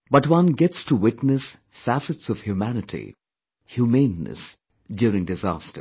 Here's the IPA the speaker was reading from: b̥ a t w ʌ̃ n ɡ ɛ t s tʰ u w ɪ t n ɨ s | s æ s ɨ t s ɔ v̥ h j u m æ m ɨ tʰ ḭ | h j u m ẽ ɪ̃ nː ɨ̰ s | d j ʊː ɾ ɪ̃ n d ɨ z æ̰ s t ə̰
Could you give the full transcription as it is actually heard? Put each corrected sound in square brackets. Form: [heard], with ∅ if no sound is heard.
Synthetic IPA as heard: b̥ [ʌ] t w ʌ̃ n ɡ ɛ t s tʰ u w ɪ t n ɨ s | [f] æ s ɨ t s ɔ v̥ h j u m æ [n] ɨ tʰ ḭ | h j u m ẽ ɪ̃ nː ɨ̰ s | d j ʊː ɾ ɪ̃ [ŋ] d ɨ z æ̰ s t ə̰